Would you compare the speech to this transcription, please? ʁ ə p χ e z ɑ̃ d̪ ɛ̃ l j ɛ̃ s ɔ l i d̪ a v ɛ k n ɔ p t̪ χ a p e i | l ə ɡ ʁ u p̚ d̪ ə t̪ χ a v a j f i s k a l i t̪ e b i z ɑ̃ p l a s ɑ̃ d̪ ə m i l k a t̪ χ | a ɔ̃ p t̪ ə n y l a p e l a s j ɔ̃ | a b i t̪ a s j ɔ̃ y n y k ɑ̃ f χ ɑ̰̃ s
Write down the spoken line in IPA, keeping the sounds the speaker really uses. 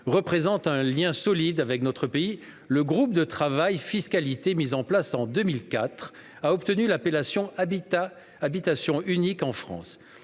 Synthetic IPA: ʁ ə p χ e z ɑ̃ t̪ ɛ̃ l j ɛ̃ s ɔ l i d̪ a v ɛ k n ɔ t̪ χ ə p e i | l ə ɡ ʁ u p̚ d̪ ə t̪ χ a v a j f i s k a l i t̪ e m i z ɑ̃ p l a s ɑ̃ d̪ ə m i l k a t̪ χ | a ɔ p t̪ ə n y l a p e l a s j ɔ̃ | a b i t̪ a s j ɔ̃ y n i k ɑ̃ f χ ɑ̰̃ s